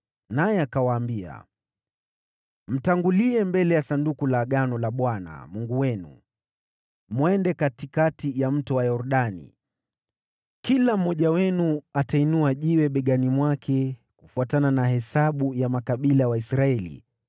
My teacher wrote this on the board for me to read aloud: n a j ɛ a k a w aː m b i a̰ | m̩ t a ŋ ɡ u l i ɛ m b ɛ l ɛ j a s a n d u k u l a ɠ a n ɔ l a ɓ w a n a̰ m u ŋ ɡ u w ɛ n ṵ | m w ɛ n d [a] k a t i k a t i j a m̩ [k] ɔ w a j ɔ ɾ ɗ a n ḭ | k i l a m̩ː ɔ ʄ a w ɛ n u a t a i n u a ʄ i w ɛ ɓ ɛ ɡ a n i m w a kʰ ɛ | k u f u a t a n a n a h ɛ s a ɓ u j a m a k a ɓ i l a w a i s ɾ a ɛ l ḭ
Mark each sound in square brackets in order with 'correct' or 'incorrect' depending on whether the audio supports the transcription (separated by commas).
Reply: incorrect, incorrect